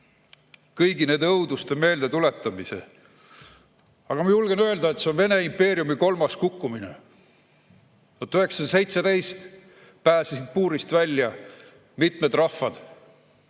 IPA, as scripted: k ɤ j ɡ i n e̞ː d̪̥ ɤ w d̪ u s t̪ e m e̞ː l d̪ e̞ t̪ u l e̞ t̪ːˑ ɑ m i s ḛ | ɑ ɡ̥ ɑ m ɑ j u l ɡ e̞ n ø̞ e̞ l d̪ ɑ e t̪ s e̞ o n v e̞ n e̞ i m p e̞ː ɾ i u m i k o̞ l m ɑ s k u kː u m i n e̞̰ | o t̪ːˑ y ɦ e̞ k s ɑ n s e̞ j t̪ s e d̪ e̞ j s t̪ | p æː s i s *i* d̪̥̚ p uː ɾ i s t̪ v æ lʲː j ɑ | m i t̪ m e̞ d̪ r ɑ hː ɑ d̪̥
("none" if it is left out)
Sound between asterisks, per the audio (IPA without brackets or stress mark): i